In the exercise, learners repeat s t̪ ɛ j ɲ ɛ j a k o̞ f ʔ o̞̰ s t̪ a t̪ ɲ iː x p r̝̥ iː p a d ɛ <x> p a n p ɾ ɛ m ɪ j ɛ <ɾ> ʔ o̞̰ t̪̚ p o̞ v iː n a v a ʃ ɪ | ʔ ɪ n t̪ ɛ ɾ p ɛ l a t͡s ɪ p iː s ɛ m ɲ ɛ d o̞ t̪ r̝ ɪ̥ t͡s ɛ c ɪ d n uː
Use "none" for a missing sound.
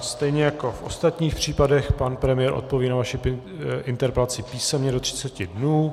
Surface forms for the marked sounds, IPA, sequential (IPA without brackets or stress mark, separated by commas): x, ɾ